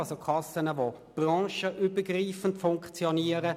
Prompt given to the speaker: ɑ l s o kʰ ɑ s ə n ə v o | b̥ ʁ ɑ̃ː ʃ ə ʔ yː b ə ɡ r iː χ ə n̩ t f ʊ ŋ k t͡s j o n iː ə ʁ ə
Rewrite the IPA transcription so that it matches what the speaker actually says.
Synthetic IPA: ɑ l s o kʰ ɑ s ə n ə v o | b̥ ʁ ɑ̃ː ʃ ə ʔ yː b ə ɡ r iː f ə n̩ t f ʊ ŋ k t͡s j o n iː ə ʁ ə